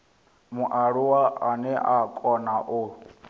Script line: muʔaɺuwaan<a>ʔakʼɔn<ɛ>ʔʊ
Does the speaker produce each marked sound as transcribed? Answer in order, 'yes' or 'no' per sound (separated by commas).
no, no